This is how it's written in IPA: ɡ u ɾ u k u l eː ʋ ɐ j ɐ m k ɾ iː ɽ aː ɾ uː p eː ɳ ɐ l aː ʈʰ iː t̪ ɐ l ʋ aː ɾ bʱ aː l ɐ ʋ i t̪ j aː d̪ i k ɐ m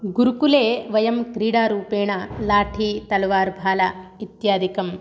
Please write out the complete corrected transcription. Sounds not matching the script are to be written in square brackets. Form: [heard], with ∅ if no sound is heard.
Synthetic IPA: ɡ u ɾ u k u l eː ʋ ɐ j ɐ m k ɾ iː ɽ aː ɾ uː p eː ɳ ɐ l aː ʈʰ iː t̪ ɐ l ʋ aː ɾ bʱ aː l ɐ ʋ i t̪ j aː d̪ i k ɐ m